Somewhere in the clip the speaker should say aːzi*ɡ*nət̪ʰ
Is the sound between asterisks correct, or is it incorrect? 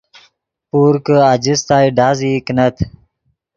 incorrect